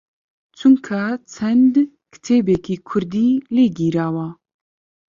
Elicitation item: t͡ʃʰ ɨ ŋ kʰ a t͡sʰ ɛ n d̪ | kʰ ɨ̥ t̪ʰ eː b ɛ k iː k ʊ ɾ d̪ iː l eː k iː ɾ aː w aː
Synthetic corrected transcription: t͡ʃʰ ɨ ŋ kʰ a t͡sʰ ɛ n d̪ | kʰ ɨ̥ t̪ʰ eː b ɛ k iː kʰ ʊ ɾ d̪ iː l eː ɡ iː ɾ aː w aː